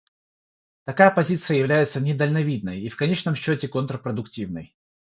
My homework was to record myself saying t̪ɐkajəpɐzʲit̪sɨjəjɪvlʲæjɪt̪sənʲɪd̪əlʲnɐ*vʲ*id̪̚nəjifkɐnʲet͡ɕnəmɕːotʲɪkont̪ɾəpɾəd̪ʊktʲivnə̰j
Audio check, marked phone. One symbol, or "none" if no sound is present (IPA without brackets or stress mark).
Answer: vʲ